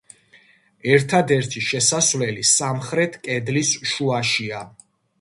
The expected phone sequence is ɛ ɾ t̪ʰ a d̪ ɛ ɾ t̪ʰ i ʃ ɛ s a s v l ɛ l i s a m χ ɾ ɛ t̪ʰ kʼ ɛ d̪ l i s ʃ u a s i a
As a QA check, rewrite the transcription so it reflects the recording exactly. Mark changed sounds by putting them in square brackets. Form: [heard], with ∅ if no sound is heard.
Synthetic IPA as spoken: ɛ ɾ t̪ʰ a d̪ ɛ ɾ t̪ʰ i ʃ ɛ s a s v l ɛ l i s a m χ ɾ ɛ t̪ʰ kʼ ɛ d̪ l i s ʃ u a [ʃ] i a